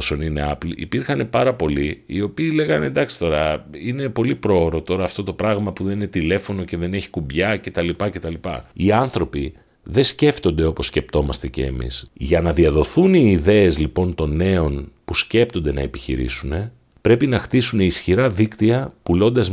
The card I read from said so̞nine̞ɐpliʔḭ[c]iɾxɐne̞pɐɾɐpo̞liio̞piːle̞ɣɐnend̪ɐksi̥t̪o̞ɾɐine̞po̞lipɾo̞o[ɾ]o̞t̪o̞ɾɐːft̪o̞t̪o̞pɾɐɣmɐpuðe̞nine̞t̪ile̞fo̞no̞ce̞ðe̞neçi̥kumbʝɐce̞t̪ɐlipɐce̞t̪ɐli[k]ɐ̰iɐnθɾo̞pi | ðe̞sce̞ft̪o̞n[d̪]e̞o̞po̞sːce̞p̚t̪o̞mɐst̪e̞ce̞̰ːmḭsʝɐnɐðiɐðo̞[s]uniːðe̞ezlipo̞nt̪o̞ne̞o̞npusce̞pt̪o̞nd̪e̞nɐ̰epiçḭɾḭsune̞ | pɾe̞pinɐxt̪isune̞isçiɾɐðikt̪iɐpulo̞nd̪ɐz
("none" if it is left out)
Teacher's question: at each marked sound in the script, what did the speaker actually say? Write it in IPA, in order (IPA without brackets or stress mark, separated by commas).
p, ɾ, p, d̪, θ